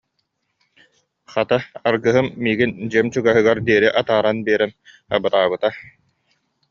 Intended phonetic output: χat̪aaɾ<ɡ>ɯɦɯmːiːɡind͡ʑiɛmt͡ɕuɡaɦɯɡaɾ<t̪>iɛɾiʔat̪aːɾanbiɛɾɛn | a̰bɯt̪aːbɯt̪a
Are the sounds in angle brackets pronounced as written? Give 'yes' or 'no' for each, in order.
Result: yes, no

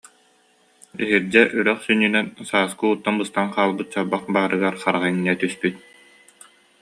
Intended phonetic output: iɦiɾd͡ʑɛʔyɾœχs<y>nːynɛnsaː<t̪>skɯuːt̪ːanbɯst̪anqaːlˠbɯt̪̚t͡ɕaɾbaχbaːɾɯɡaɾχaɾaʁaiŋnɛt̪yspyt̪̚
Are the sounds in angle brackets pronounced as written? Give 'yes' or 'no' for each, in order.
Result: yes, no

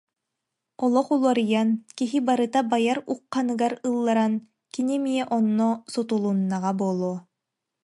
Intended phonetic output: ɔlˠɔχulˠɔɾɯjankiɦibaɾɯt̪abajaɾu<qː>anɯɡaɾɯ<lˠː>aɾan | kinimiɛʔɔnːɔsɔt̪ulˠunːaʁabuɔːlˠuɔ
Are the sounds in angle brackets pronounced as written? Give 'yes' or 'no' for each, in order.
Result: yes, yes

